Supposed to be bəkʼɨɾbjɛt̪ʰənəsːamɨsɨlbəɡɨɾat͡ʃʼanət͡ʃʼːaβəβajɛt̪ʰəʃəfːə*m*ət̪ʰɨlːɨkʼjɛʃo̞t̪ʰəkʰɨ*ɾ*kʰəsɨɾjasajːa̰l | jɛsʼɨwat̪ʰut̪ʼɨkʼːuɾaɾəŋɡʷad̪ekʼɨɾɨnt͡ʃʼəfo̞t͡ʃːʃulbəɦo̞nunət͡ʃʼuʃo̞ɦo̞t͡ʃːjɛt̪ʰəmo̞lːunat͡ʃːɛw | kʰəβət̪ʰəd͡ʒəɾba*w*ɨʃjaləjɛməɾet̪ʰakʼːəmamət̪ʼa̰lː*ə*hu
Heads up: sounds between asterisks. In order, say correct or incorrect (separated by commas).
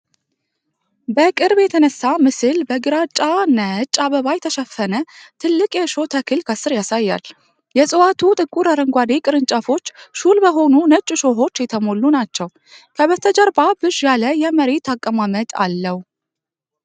incorrect, incorrect, incorrect, correct